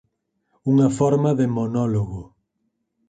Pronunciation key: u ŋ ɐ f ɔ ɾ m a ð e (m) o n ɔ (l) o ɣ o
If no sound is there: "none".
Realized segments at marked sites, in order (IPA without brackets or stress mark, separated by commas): m, l